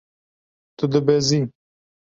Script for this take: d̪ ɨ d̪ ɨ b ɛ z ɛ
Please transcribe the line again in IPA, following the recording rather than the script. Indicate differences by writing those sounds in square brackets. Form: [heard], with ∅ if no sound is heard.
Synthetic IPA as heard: [t̪] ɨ d̪ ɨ b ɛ z [i]

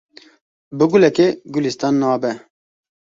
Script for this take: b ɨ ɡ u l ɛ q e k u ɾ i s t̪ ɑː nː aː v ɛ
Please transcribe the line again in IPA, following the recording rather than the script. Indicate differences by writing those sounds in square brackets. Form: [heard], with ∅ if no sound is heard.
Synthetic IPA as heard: b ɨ ɡ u l ɛ [k] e [ɡ] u [l] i s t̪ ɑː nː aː [b] ɛ

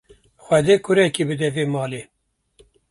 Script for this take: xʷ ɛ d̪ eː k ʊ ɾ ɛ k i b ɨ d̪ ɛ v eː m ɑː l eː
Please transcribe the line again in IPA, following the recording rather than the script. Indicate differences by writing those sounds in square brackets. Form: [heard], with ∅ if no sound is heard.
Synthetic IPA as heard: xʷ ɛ d̪ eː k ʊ ɾ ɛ k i b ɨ d̪ ɛ v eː m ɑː l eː

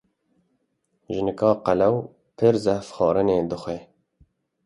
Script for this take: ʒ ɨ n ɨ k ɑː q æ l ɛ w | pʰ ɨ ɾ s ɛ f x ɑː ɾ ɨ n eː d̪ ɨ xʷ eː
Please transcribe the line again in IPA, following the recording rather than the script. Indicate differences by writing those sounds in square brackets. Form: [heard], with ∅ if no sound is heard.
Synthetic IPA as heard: ʒ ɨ n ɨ k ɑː q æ l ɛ w | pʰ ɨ ɾ [z] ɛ f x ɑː ɾ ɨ n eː d̪ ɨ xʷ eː

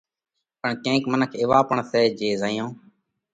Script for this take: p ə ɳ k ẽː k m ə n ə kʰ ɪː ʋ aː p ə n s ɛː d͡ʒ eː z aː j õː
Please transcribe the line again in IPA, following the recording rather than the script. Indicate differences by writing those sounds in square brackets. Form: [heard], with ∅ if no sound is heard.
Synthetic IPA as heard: p ə ɳ k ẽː k m ə n ə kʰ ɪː ʋ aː p ə [ɳ] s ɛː d͡ʒ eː z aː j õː

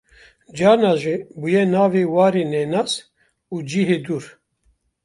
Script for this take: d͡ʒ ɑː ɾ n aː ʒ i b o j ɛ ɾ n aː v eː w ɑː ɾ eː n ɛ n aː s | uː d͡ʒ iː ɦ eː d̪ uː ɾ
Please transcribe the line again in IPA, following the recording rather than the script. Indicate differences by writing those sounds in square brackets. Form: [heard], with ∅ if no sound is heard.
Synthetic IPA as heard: d͡ʒ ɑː ɾ n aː ʒ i b [u] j ɛ [∅] n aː v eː w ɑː ɾ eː n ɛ n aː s | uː d͡ʒ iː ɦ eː d̪ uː ɾ

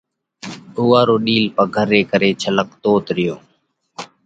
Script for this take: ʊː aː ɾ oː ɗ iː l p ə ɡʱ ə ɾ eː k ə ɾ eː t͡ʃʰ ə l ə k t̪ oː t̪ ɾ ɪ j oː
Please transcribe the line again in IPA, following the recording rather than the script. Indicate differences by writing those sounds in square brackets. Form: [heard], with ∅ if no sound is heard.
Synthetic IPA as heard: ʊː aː ɾ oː ɗ iː l p ə ɡʱ ə ɾ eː k ə ɾ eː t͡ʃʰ ə l ə k t̪ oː t̪ ɾ ɪ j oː

